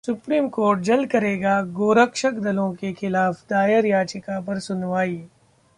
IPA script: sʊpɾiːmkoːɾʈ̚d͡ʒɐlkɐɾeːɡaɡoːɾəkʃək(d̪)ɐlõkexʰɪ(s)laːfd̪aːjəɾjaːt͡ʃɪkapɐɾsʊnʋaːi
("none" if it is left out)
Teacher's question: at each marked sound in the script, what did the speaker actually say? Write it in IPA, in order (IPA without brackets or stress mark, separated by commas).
d̪, none